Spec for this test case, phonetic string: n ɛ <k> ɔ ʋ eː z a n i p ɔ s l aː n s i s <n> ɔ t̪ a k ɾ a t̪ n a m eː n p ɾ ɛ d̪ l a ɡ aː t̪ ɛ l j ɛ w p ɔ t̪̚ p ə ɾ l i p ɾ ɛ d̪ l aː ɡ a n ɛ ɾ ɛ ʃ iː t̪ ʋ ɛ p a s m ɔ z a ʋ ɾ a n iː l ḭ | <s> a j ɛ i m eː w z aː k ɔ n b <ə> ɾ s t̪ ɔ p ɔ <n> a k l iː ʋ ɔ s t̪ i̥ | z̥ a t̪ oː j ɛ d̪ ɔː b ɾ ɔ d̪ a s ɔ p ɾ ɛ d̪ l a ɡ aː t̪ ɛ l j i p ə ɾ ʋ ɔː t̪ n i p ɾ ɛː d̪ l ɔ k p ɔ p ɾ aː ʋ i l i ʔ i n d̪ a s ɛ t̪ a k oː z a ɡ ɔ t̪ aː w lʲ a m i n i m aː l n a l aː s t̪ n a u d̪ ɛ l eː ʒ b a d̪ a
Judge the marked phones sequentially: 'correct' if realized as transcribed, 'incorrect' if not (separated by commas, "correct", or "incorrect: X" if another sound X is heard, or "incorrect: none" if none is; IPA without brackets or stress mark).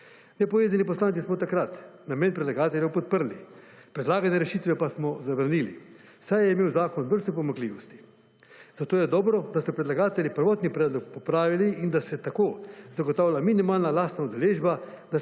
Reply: incorrect: p, incorrect: m, correct, correct, incorrect: m